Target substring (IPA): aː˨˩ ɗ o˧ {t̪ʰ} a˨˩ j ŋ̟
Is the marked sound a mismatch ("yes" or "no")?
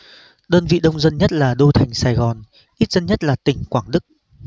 no